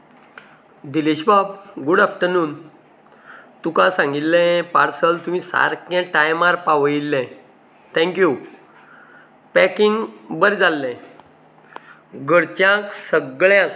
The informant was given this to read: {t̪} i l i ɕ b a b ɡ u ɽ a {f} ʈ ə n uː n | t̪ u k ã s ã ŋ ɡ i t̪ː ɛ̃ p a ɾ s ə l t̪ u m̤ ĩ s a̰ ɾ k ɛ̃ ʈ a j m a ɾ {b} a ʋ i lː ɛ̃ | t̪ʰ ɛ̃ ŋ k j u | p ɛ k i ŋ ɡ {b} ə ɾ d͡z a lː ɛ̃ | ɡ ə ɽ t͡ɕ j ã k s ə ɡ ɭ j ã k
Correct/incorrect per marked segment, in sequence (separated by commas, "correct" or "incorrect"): incorrect, correct, incorrect, correct